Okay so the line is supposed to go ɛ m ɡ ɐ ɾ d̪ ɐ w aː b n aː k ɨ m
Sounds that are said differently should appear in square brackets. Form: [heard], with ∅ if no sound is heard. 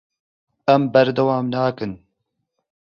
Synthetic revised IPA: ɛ m [b] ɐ ɾ d̪ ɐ w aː [m] n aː k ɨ [n]